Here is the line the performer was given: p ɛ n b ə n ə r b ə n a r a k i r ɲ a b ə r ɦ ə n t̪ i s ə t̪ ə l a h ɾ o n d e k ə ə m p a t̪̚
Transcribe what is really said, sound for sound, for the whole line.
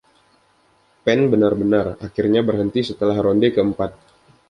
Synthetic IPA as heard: p ɛ n b ə n a r b ə n a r a k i r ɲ a b ə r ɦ ə n t̪ i s ə t̪ ə l a h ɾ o n d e k ə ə m p a t̪̚

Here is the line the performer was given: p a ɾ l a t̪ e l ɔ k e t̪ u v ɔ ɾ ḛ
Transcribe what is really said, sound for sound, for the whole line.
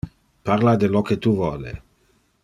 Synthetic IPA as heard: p a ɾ l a d̪ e l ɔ k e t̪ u v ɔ l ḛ

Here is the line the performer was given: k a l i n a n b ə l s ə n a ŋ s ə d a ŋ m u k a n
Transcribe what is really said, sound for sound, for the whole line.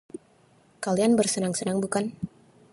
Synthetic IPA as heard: k a l i a n b ə r s ə n a ŋ s ə n a ŋ b u k a n

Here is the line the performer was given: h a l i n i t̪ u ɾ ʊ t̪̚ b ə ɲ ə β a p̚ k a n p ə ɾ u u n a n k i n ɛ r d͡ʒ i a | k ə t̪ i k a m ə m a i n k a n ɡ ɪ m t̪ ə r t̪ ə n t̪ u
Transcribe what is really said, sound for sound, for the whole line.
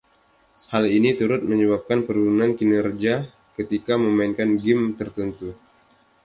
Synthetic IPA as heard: h a l i n i t̪ u ɾ ʊ t̪̚ m ə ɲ ə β a p̚ k a n p ə ɾ u u n a n k i n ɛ r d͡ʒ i a | k ə t̪ i k a m ə m a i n k a n ɡ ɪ m t̪ ə r t̪ ə n t̪ u

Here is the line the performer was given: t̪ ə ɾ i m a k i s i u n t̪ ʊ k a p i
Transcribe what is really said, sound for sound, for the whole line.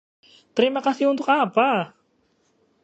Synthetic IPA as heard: t̪ ə ɾ i m a k a s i u n t̪ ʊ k a p a

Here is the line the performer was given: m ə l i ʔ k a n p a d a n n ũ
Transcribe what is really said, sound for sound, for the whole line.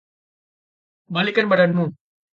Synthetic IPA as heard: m a l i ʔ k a n b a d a n m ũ

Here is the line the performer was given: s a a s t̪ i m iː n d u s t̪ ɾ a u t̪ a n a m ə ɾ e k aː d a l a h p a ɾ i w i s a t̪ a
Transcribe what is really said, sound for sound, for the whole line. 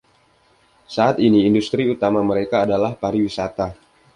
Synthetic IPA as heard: s a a t̪ i n iː n d u s t̪ ɾ i u t̪ a m a m ə ɾ e k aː d a l a h p a ɾ i w i s a t̪ a

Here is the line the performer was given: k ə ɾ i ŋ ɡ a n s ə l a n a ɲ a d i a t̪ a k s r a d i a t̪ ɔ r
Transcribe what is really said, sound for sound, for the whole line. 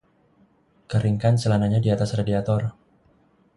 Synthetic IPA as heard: k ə ɾ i ŋ k a n s ə l a n a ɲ a d i a t̪ a s r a d i a t̪ ɔ r

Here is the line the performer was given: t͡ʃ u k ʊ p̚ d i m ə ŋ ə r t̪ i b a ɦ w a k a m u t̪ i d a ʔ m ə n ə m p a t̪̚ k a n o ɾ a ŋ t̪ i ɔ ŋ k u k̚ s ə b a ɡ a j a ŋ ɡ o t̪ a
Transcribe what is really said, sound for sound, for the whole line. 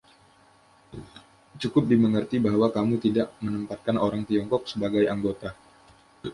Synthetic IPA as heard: t͡ʃ u k ʊ p̚ d i m ə ŋ ə r t̪ i b a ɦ w a k a m u t̪ i d a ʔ m ə n ə m p a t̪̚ k a n o ɾ a ŋ t̪ i ɔ ŋ k ɔ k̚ s ə b a ɡ a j a ŋ ɡ o t̪ a

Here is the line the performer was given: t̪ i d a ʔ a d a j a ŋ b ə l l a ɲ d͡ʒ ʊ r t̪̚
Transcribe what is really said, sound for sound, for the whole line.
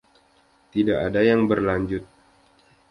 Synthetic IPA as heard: t̪ i d a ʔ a d a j a ŋ b ə r l a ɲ d͡ʒ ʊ t̪̚

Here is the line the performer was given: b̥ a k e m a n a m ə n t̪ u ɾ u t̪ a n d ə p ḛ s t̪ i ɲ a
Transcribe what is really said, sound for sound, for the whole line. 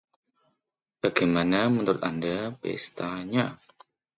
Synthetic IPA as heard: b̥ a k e m a n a m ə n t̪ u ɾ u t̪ a n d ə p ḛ s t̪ a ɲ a

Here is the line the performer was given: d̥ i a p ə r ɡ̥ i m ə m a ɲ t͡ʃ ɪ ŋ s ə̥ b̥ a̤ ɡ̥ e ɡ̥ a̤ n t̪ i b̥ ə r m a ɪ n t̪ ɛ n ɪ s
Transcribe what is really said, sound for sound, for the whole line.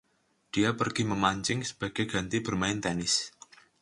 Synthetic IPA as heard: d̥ i a p ə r ɡ̥ i m ə m a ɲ t͡ʃ ɪ ŋ s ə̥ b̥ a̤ ɡ̥ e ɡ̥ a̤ n t̪ i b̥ ə r m a ɪ n t̪ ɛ n ɪ s

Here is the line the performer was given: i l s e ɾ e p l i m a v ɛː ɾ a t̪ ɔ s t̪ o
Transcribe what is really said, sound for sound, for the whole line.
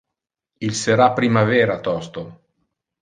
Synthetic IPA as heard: i l s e ɾ a p ɾ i m a v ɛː ɾ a t̪ ɔ s t̪ o

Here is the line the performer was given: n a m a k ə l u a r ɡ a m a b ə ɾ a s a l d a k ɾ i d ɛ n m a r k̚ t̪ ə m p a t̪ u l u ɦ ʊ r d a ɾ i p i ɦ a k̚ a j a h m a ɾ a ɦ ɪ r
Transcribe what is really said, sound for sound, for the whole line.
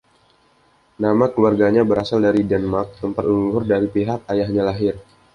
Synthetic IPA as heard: n a m a k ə l u a r ɡ a ɲ a b ə ɾ a s a l d a ɾ i d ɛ n m a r k̚ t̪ ə m p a t̪ u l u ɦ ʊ r d a ɾ i p i ɦ a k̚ a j a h ɲ a l a ɦ ɪ r

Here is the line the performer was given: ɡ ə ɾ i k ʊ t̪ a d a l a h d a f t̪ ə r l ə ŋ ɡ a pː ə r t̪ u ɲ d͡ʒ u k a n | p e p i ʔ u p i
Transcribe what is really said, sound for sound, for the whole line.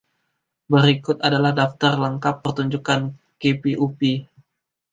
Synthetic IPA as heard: b ə ɾ i k ʊ t̪ a d a l a h d a f t̪ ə r l ə ŋ k a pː ə r t̪ u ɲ d͡ʒ u k a n | k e p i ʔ u p i

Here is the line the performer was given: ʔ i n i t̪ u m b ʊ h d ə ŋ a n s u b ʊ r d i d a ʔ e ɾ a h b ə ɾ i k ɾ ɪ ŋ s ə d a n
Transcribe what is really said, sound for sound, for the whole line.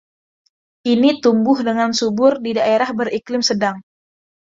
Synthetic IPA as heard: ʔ i n i t̪ u m b ʊ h d ə ŋ a n s u b ʊ r d i d a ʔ e ɾ a h b ə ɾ i k l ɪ m s ə d a ŋ

